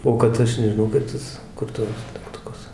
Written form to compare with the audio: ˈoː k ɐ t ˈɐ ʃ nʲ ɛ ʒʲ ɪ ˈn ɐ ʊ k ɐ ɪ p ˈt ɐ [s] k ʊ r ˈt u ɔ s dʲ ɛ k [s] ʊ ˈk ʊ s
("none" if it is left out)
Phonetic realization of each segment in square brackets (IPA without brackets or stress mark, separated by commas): s, t